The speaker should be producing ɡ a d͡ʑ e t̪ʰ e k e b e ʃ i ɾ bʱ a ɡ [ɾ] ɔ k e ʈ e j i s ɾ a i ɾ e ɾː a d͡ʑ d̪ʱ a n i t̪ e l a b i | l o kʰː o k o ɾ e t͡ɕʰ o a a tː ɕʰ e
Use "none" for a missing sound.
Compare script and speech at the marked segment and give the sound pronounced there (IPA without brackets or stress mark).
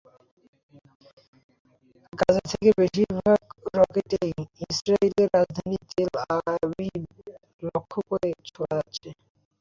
ɾ